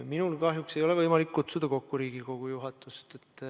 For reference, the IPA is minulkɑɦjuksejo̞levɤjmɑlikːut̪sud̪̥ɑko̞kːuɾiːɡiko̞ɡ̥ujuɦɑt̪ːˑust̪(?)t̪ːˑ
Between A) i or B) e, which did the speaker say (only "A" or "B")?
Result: B